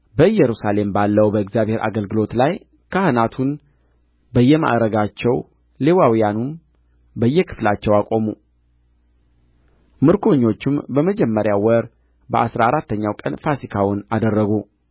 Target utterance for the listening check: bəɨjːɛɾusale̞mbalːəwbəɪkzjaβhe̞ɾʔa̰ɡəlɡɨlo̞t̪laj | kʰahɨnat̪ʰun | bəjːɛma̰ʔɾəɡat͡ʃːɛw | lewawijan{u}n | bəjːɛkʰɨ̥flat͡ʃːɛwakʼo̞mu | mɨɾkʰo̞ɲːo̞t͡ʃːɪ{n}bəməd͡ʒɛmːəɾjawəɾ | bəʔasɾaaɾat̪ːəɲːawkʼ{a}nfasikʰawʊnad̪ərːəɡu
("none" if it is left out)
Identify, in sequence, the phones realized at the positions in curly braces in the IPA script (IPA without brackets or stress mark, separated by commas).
u, m, ə